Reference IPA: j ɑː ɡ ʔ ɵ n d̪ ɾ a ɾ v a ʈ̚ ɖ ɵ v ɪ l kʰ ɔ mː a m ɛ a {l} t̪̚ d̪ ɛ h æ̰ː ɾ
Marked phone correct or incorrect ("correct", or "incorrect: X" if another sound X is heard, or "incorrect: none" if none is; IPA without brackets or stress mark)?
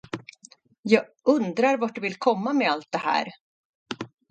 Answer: correct